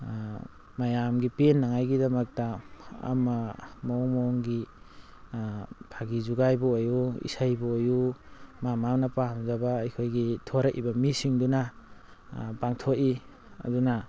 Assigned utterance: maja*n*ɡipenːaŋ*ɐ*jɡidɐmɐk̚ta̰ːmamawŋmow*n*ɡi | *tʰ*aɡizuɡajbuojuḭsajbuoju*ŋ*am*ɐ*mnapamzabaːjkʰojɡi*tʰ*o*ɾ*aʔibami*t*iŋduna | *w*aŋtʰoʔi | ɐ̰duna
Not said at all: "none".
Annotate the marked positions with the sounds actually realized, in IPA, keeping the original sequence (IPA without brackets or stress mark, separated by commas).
m, a, ŋ, pʰ, m, a, tʰ, ɾ, s, b